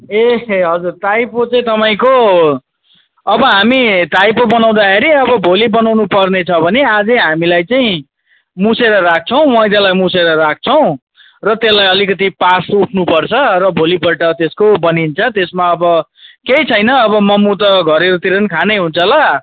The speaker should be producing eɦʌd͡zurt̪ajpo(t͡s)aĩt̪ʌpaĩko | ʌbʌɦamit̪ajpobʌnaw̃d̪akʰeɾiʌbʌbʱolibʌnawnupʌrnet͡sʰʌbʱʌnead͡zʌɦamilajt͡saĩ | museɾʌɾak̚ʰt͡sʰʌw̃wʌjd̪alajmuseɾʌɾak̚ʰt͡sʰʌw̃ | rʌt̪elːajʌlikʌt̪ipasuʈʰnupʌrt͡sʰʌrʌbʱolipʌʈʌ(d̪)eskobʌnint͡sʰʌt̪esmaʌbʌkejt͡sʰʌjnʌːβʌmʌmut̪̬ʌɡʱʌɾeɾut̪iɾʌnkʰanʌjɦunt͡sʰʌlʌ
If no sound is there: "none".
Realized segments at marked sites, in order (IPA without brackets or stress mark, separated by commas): t͡s, t̪